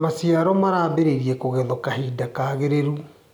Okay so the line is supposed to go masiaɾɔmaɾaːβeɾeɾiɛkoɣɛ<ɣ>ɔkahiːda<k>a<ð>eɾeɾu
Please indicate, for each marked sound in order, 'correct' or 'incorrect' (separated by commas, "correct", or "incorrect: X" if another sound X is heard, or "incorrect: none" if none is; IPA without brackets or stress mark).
incorrect: ð, correct, incorrect: ɣ